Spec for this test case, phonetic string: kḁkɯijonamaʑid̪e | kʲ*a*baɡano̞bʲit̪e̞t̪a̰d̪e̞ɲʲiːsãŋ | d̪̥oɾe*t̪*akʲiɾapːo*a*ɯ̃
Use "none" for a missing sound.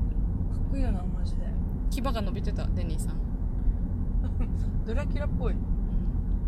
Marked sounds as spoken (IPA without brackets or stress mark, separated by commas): i, none, i